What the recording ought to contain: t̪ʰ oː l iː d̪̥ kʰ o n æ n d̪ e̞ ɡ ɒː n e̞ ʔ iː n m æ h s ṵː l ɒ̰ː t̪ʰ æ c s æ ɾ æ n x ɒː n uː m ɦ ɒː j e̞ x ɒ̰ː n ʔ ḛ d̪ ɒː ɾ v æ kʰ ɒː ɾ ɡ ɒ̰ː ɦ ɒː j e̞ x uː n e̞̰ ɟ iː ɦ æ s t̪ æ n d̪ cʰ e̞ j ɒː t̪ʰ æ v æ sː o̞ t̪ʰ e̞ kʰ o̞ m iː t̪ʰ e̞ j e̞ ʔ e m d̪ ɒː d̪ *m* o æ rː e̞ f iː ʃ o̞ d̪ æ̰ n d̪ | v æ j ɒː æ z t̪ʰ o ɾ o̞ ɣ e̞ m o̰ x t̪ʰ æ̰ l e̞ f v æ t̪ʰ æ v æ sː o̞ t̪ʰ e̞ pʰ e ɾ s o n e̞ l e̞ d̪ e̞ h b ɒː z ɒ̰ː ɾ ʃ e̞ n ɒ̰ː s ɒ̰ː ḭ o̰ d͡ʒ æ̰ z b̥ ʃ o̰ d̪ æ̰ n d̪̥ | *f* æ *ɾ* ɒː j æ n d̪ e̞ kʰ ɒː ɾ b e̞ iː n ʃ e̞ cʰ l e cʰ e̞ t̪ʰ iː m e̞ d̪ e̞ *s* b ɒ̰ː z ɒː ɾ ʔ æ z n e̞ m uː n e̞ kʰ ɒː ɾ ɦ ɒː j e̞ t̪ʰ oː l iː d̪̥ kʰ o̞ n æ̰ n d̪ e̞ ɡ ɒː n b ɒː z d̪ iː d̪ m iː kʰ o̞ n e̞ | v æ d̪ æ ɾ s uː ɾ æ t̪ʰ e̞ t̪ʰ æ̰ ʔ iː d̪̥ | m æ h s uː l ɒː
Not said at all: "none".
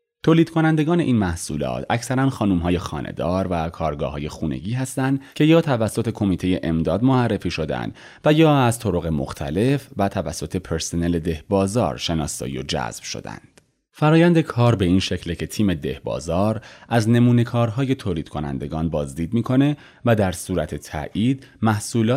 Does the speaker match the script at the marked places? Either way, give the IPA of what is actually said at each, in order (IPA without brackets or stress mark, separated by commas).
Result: m, f, ɾ, h